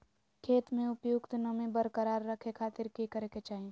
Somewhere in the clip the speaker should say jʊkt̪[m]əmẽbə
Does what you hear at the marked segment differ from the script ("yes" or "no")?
yes